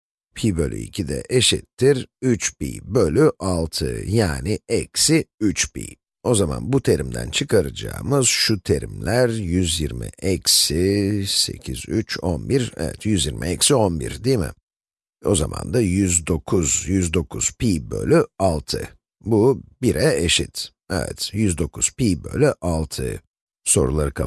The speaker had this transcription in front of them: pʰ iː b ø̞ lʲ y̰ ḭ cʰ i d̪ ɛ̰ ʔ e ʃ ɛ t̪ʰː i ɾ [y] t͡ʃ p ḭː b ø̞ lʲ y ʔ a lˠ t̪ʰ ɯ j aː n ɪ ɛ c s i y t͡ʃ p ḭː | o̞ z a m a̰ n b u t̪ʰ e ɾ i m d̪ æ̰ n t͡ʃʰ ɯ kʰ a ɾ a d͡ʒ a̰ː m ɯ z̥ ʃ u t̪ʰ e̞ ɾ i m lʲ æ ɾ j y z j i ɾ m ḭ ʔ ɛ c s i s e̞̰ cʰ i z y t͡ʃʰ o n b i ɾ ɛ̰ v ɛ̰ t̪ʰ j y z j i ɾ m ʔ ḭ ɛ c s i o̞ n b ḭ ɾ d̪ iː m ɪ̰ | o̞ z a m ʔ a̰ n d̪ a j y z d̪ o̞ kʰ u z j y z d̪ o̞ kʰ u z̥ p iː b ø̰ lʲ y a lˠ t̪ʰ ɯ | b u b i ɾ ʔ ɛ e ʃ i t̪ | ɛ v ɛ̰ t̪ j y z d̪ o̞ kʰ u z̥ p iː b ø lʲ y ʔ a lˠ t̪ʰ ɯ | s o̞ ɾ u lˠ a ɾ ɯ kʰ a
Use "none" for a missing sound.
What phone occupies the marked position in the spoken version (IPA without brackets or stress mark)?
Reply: y